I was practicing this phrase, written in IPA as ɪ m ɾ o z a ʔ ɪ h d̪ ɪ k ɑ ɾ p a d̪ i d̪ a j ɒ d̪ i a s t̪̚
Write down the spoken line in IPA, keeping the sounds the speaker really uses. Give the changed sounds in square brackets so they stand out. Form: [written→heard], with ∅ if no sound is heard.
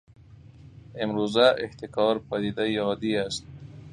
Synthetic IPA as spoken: ɪ m ɾ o z a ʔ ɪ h [d̪→t̪] ɪ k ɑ ɾ p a d̪ i d̪ a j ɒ d̪ i a s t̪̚